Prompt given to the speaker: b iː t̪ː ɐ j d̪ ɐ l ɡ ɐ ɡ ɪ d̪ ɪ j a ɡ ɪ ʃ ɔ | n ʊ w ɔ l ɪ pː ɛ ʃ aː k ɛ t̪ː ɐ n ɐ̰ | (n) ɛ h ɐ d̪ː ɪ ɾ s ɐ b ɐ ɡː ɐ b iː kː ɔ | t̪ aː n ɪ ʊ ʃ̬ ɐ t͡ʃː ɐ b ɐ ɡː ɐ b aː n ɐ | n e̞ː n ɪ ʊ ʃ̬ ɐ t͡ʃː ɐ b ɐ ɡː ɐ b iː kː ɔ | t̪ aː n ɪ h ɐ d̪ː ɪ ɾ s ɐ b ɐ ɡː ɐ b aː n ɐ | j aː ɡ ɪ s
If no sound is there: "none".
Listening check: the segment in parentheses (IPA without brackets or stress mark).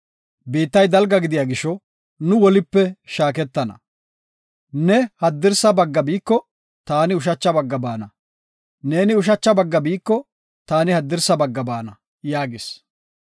n